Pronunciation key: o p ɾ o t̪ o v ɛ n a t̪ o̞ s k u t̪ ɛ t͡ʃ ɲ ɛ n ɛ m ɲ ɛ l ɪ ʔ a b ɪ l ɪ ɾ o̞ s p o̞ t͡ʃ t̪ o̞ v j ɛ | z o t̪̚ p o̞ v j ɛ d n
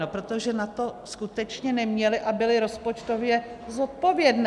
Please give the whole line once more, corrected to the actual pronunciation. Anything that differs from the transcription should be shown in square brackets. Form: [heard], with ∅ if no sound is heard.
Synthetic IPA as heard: o p ɾ o t̪ o [ʒ] ɛ n a t̪ o̞ s k u t̪ ɛ t͡ʃ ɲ ɛ n ɛ m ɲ ɛ l ɪ ʔ a b ɪ l ɪ ɾ o̞ s p o̞ t͡ʃ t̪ o̞ v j ɛ | z o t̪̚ p o̞ v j ɛ d n